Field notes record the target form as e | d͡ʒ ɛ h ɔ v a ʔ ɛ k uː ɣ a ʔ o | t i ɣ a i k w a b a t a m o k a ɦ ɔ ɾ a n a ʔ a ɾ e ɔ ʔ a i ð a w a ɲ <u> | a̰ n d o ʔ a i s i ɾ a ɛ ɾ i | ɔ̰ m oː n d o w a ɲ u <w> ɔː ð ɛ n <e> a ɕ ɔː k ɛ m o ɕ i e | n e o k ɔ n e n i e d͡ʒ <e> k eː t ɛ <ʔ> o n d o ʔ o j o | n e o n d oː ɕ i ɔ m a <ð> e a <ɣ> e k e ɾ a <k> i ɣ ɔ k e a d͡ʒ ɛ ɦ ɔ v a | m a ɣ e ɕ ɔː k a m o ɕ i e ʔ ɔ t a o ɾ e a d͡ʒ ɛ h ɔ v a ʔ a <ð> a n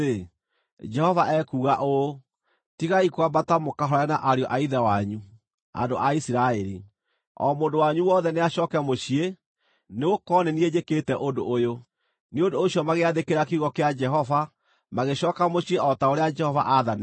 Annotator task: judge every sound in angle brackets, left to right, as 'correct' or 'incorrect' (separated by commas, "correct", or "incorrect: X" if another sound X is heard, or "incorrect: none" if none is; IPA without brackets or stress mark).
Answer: correct, correct, correct, correct, correct, incorrect: ɣ, incorrect: ð, correct, correct